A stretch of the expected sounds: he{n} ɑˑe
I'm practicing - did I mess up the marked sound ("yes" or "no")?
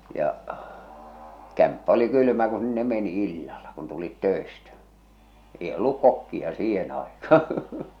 no